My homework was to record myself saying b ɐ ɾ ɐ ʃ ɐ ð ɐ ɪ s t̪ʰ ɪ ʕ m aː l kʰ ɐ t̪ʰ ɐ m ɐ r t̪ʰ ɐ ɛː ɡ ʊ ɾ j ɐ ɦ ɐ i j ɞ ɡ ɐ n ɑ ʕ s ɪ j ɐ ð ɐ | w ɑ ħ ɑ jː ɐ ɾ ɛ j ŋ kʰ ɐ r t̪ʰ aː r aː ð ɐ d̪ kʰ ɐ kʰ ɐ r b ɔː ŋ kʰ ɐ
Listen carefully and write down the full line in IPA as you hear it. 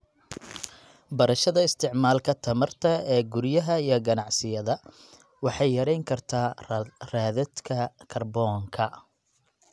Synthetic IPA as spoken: b ɐ ɾ ɐ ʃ ɐ ð ɐ ɪ s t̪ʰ ɪ ʕ m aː l kʰ ɐ t̪ʰ ɐ m ɐ r t̪ʰ ɐ ɛː ɡ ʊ ɾ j ɐ ɦ ɐ i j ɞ ɡ ɐ n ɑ ʕ s ɪ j ɐ ð ɐ | w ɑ ħ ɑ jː ɐ ɾ ɛ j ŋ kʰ ɐ r t̪ʰ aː r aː ð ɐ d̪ kʰ ɐ kʰ ɐ r b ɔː ŋ kʰ ɐ